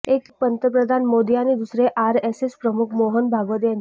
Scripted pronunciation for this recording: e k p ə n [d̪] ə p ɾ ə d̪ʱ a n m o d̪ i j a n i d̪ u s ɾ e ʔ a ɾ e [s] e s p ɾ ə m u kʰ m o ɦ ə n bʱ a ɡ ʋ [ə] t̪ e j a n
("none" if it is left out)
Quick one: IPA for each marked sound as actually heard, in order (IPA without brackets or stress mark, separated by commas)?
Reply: t̪, s, ə